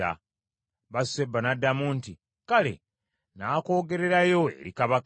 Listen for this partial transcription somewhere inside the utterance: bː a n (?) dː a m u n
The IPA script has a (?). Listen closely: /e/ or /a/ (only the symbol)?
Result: a